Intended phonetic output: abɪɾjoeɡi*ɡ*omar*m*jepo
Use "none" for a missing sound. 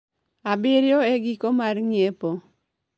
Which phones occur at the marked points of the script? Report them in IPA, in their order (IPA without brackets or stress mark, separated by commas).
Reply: k, ŋ